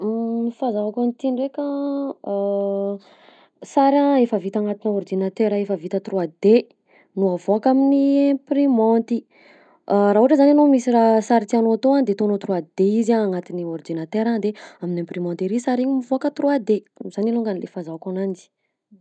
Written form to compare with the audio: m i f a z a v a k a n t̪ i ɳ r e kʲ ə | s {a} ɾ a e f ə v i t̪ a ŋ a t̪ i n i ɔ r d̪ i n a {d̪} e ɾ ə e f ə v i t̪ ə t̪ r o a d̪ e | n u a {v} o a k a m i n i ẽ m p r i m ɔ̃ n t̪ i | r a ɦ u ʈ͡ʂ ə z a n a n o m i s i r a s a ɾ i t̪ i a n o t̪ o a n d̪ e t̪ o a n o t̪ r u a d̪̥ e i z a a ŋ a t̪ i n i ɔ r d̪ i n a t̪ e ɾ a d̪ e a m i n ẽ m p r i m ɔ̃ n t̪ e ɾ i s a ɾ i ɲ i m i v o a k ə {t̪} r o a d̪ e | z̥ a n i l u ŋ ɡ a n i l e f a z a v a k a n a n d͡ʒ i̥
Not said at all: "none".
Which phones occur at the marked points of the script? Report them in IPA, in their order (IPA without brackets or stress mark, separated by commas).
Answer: a, t̪, v, t̪